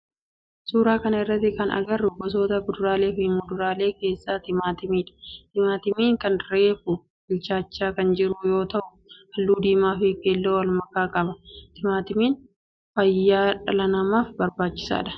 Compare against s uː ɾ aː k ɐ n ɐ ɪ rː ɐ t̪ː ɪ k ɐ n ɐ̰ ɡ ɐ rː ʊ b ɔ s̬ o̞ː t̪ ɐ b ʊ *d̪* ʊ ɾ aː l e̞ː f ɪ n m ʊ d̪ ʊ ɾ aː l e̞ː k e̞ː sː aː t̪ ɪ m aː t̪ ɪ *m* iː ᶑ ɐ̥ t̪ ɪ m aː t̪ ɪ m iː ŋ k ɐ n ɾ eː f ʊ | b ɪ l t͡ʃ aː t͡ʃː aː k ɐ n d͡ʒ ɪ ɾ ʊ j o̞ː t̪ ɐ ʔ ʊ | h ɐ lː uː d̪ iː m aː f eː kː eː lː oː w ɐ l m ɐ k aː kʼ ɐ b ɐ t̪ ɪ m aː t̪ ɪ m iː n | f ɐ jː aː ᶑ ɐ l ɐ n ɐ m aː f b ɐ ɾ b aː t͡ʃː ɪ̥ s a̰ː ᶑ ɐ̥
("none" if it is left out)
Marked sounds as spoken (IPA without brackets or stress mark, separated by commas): d̪, m